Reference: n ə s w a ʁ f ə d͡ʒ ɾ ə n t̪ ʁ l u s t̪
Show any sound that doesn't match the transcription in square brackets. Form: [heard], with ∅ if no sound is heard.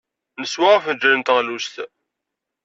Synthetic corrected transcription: n ə s w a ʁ f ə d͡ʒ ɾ ə n t̪ ʁ l u s t̪